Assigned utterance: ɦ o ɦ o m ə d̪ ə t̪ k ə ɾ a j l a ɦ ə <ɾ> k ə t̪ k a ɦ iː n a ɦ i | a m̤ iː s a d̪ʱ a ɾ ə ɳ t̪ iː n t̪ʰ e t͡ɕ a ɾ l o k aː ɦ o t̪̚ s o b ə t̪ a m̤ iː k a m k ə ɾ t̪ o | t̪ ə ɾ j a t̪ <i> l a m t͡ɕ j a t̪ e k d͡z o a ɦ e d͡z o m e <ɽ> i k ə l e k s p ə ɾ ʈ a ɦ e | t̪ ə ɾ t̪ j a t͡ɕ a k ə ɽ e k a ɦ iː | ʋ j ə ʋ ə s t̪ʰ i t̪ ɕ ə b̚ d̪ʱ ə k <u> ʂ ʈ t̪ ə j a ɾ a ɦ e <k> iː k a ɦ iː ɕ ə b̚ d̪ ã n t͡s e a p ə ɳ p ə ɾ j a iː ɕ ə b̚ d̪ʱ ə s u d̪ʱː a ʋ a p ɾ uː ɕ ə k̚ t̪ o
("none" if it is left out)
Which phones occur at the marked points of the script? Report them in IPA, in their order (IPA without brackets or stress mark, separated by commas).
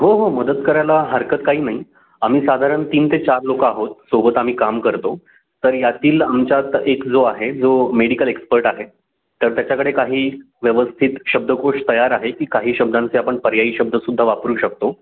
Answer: ɾ, iː, ɽ, o, k